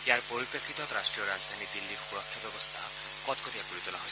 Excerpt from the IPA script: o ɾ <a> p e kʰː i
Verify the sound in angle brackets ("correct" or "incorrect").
incorrect